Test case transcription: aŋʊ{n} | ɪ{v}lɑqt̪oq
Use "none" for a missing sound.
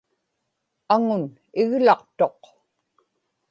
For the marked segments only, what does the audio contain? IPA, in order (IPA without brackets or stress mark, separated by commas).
n, ɣ